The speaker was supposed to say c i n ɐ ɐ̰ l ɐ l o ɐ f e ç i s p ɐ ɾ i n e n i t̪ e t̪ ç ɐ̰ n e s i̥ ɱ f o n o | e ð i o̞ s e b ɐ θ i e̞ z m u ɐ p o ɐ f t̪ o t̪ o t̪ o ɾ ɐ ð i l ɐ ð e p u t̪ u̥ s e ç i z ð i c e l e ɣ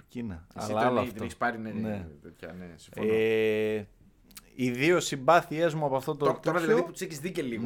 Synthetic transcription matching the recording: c i n ɐ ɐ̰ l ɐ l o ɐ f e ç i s p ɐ ɾ i n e n e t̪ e t̪ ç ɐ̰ n e s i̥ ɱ f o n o | i ð i o̞ s i b ɐ θ i e̞ z m u ɐ p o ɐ f t̪ o t̪ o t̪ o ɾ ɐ ð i l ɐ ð i p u t̪ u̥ s e ç i z ð i c e l i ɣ